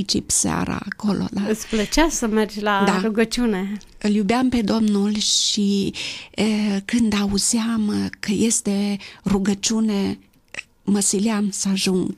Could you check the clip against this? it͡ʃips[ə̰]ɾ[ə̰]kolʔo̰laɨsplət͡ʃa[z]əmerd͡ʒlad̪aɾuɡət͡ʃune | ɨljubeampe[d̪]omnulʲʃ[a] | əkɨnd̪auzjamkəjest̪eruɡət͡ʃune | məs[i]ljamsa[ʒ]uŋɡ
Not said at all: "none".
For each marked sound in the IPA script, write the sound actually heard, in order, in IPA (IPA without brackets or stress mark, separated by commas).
a̰, a̰, s, d̪, i, i, ʒ